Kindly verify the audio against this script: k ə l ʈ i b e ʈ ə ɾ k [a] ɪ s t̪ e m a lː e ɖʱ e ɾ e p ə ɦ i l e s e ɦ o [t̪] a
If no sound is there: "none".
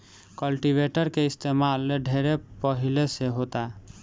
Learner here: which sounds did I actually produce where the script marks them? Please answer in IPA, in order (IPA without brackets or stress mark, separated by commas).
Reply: e, t̪